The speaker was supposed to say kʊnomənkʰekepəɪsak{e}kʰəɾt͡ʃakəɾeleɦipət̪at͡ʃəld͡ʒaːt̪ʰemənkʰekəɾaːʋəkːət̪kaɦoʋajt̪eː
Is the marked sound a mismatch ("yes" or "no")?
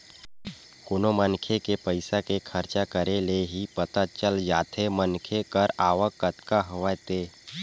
no